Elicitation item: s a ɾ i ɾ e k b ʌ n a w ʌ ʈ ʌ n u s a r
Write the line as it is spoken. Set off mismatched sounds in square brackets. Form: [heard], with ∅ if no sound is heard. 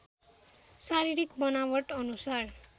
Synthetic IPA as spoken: s a ɾ i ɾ [i] k b ʌ n a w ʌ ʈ ʌ n u s a r